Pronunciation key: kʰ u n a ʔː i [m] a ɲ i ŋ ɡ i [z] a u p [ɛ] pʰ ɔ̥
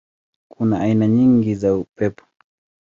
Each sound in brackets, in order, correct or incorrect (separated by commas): incorrect, correct, correct